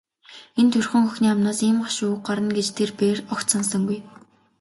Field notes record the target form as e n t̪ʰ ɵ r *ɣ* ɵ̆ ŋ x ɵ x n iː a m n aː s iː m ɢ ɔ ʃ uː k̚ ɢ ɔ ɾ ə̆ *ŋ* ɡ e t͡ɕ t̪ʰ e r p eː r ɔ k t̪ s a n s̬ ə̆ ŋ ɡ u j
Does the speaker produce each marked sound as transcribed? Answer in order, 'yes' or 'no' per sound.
no, no

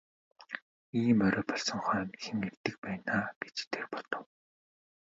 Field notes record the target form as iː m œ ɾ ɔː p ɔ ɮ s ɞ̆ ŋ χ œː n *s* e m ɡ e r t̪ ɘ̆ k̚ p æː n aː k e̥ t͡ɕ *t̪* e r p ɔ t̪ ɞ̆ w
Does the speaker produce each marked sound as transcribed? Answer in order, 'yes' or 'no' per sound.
no, no

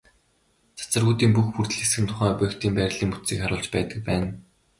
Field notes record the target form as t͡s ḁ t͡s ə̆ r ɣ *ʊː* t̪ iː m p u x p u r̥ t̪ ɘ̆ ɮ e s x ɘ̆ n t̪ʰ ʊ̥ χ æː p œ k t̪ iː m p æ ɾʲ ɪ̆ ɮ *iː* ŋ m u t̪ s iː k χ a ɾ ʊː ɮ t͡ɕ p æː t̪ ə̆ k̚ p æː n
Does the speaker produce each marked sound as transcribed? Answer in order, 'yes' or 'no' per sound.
no, yes

